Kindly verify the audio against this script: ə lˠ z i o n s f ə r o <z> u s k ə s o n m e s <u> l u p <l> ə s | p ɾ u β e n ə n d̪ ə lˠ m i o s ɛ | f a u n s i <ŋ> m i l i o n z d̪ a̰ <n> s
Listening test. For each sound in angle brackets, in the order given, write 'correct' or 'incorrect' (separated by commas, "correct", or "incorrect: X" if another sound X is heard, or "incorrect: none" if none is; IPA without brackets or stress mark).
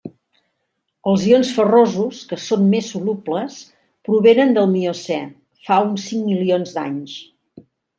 correct, correct, correct, correct, incorrect: ɲ